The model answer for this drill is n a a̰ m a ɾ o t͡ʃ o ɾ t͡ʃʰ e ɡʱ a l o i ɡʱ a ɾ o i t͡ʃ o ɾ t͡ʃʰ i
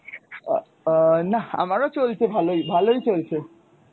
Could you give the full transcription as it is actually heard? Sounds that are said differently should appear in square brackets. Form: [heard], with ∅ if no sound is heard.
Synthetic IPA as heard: n a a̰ m a ɾ o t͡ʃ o [l] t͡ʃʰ e [bʱ] a l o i [bʱ] a [l] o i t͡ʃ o [l] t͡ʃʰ [e]